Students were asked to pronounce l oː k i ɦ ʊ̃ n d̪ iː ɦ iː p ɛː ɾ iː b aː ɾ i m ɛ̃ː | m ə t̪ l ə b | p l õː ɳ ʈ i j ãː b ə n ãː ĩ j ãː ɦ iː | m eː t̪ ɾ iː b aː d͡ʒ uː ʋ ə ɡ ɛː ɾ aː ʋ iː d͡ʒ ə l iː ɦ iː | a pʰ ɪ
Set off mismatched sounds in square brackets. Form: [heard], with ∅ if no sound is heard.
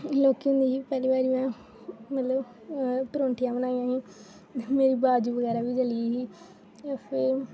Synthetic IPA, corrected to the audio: l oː k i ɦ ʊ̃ n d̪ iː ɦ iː p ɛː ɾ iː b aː ɾ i m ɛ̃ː | m ə t̪ l ə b | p [ɾ] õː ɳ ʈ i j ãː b ə n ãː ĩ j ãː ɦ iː | m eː [∅] ɾ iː b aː d͡ʒ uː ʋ ə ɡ ɛː ɾ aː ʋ iː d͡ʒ ə l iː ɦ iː | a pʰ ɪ